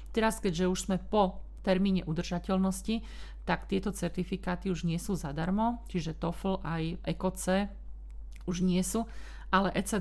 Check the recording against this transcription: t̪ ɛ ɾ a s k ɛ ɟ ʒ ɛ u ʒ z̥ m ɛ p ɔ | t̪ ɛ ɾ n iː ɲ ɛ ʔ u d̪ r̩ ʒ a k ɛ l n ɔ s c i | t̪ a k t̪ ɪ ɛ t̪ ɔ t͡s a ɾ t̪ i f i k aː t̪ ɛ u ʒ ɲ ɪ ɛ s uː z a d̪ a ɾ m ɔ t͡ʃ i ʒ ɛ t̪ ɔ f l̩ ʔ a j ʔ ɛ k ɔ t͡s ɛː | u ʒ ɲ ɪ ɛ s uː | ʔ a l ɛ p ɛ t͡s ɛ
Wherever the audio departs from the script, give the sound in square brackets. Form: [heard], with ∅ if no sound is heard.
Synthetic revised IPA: t̪ ɛ ɾ a s k ɛ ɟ ʒ ɛ u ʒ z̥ m ɛ p ɔ | t̪ ɛ ɾ [m] iː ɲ ɛ ʔ u d̪ r̩ ʒ a [c] ɛ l n ɔ s c i | t̪ a k t̪ ɪ ɛ t̪ ɔ t͡s [ɛ] ɾ t̪ i f i k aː t̪ [i] u ʒ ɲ ɪ ɛ s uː z a d̪ a ɾ m ɔ t͡ʃ i ʒ ɛ t̪ ɔ f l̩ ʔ a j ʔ ɛ k ɔ t͡s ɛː | u ʒ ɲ ɪ ɛ s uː | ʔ a l ɛ [ʔ] ɛ t͡s ɛ